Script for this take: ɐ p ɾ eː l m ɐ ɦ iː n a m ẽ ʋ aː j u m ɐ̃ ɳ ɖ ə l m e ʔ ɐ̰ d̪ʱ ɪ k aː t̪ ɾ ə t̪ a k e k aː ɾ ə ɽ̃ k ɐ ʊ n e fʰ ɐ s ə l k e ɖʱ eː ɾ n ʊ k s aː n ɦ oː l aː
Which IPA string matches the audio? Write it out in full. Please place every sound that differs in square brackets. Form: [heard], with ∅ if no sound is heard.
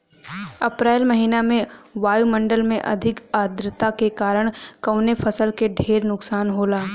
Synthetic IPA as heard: ɐ p ɾ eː l m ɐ ɦ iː n a m ẽ ʋ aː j u m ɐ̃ ɳ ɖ ə l m [ẽ] ʔ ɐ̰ d̪ʱ ɪ k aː [d̪] ɾ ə t̪ a k e k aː ɾ ə ɽ̃ k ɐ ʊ n e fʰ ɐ s ə l k e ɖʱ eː ɾ n ʊ k s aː n ɦ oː l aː